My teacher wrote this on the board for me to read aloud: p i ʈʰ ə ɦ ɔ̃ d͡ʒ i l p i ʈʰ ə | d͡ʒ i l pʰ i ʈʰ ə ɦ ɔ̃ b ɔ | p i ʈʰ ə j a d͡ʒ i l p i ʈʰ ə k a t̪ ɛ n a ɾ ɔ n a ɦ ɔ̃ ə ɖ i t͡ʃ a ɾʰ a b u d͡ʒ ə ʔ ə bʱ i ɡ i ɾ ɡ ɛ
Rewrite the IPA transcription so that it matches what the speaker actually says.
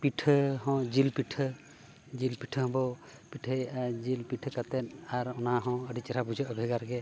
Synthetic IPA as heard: p i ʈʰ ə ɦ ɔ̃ d͡ʒ i l p i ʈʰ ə | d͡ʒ i l p i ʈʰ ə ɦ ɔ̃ b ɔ | p i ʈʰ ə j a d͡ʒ i l p i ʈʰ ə k a t̪ ɛ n a ɾ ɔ n a ɦ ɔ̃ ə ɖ i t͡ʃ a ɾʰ a b u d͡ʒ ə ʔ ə bʱ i ɡ a ɾ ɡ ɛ